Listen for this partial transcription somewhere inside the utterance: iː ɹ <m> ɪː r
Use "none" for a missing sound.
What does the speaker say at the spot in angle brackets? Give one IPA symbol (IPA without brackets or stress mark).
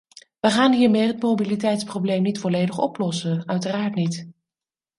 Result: m